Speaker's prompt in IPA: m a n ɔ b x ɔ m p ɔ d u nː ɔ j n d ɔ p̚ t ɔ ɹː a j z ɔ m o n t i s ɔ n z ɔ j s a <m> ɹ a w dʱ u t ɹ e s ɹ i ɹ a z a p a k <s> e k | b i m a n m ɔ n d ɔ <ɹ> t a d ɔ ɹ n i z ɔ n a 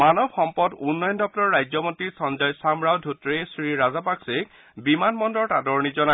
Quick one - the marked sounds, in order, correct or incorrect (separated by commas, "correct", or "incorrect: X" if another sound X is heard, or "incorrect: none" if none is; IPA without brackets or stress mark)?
correct, correct, correct